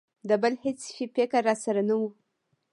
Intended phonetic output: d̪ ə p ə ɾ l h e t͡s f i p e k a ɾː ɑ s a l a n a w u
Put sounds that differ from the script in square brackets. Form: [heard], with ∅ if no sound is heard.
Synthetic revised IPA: d̪ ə [b] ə [∅] l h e t͡s f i p e k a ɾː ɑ s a [ɾ] a n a w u